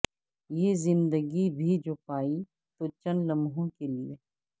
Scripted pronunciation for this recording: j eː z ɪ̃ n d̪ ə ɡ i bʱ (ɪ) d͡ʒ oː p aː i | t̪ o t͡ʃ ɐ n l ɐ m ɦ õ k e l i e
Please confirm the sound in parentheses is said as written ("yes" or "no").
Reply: no